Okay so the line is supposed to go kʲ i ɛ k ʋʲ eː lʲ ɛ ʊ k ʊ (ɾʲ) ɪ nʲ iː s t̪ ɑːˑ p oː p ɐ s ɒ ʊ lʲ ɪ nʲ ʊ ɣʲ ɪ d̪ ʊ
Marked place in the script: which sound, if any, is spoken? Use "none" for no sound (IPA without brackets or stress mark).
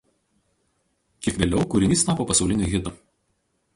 ɾʲ